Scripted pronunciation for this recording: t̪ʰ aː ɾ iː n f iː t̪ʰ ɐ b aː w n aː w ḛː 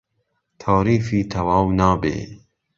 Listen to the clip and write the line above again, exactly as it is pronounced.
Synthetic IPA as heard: t̪ʰ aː ɾ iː f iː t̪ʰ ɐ w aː w n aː b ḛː